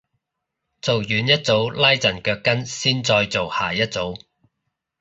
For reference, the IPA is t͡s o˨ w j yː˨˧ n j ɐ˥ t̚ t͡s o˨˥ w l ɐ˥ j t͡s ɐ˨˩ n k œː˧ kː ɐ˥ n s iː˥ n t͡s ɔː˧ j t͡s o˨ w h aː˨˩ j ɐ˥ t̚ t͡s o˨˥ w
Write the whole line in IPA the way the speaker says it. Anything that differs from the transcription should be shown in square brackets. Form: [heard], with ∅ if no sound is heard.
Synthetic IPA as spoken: t͡s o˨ w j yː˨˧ n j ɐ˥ t̚ t͡s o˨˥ w l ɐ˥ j t͡s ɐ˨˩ n k œː˧ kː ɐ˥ n s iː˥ n t͡s ɔː˧ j t͡s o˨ w h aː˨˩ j ɐ˥ t̚ t͡s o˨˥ w